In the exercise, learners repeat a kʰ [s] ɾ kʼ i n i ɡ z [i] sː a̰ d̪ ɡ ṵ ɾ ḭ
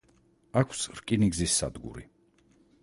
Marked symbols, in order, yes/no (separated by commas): yes, yes